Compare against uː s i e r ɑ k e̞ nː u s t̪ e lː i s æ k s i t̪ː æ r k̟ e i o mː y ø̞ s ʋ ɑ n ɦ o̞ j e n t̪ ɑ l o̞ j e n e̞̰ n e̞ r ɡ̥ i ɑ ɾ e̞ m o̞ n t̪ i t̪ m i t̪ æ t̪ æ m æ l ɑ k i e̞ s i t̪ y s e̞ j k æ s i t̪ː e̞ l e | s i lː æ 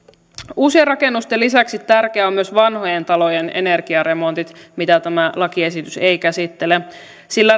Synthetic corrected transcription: uː s i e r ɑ k e̞ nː u s t̪ e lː i s æ k s i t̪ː æ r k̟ e æ o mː y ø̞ s ʋ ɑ n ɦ o̞ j e n t̪ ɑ l o̞ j e n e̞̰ n e̞ r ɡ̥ i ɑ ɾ e̞ m o̞ n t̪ i t̪ m i t̪ æ t̪ æ m æ l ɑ k i e̞ s i t̪ y s e̞ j k æ s i t̪ː e̞ l e | s i lː æ